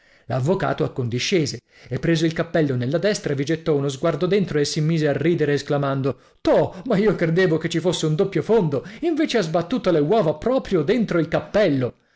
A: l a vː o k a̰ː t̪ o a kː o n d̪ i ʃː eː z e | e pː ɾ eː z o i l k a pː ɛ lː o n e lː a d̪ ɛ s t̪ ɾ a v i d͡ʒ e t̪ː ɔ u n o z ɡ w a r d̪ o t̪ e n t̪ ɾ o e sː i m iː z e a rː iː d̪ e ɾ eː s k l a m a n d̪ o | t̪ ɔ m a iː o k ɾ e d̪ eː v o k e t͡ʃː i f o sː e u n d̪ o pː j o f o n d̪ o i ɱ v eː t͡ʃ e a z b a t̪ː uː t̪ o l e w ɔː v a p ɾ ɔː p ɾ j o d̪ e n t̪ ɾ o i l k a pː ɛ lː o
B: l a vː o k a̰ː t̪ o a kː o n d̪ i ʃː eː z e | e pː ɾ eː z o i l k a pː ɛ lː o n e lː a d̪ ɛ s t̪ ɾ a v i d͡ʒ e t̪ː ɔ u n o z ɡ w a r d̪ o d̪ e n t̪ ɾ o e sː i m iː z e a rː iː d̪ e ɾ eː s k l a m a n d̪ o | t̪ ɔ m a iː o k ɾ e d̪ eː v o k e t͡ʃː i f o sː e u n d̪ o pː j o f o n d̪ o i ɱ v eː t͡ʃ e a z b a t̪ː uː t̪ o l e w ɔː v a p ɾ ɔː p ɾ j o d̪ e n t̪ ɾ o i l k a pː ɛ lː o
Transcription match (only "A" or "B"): B